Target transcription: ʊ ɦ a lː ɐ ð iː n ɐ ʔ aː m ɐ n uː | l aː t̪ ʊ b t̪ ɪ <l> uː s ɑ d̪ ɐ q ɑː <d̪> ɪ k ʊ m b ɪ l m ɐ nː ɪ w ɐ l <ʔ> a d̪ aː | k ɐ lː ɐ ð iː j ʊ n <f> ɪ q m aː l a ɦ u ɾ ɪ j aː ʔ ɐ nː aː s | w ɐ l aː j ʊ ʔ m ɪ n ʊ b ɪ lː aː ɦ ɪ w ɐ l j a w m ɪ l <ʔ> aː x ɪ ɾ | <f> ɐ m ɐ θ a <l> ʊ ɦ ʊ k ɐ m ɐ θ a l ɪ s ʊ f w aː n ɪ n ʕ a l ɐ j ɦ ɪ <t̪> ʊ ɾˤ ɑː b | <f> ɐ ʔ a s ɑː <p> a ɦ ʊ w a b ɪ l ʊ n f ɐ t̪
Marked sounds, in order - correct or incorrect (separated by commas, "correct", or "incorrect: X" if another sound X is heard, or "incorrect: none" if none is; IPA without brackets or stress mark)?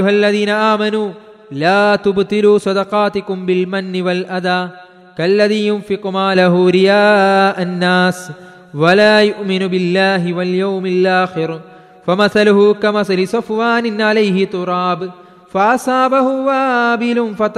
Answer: correct, incorrect: t̪, correct, correct, correct, correct, correct, correct, correct, incorrect: b